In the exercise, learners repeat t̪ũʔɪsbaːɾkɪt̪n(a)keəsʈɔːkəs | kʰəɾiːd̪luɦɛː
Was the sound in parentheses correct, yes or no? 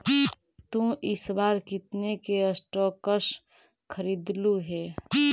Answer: no